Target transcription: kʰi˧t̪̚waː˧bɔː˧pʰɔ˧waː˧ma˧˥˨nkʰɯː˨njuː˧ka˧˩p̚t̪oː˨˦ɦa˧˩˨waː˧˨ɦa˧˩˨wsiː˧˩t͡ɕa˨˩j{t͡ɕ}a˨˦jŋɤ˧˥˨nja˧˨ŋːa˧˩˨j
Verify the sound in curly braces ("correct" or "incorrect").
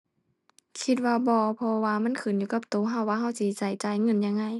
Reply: correct